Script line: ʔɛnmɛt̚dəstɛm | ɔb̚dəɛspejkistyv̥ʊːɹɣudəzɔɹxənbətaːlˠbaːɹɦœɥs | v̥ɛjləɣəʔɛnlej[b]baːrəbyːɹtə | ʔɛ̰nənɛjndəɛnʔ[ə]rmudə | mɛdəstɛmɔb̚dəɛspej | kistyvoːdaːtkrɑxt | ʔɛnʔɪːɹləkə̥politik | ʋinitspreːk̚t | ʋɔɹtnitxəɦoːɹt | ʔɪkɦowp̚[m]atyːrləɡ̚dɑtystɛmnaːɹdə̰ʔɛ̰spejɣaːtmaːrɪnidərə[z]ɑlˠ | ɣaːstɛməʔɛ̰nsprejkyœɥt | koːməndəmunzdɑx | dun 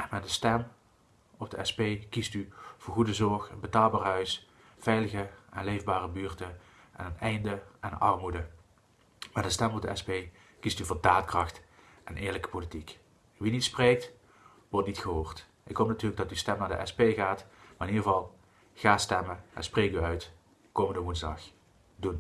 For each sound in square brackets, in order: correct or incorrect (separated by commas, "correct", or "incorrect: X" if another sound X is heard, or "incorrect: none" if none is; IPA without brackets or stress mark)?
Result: incorrect: v, incorrect: ɑ, incorrect: n, incorrect: v